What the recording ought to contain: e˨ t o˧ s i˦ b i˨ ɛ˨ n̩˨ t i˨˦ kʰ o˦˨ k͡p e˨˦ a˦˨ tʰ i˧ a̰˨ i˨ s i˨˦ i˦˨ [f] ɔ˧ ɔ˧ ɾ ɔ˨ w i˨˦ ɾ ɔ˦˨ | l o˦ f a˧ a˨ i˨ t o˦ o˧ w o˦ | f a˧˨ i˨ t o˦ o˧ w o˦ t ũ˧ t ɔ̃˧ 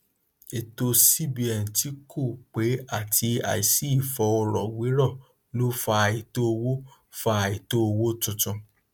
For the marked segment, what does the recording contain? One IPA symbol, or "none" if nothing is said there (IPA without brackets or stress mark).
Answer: f